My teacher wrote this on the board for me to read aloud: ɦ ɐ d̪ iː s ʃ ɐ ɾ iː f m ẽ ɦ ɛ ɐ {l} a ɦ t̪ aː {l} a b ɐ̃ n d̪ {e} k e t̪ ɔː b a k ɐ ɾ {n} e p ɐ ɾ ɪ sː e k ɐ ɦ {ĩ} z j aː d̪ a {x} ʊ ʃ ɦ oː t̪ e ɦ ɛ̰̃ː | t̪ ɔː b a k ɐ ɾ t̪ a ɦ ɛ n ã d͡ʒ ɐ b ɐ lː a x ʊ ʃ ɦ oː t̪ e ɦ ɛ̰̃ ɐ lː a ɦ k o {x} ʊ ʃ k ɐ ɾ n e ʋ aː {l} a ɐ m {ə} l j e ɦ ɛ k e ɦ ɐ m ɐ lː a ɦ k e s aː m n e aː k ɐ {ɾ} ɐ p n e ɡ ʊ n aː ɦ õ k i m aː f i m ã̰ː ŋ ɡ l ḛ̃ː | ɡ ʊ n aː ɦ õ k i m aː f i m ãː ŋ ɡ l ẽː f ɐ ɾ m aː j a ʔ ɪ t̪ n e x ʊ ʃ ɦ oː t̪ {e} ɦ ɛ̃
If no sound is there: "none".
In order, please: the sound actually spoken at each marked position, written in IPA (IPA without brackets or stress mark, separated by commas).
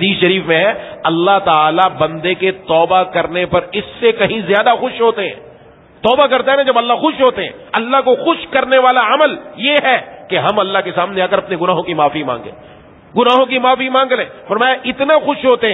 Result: lː, l, e, n, ĩ, x, x, l, ə, ɾ, e